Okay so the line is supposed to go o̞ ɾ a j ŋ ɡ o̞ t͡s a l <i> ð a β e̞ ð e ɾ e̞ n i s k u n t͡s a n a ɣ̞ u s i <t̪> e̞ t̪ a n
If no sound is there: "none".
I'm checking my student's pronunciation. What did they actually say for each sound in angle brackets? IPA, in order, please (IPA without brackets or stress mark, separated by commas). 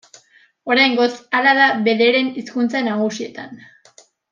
a, none